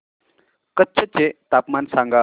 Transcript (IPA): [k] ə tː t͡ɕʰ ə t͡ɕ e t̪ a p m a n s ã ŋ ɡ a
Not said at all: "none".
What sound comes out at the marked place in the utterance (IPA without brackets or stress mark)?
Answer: k